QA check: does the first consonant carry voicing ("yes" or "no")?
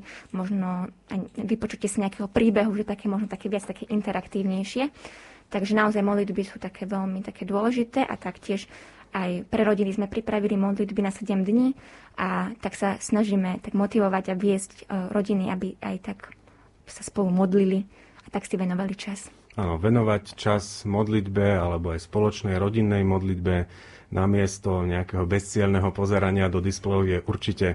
yes